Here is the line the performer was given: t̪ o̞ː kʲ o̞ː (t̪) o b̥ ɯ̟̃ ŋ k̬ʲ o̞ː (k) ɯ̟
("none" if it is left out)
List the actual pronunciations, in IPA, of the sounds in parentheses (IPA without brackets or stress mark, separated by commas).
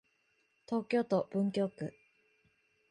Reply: t̪, k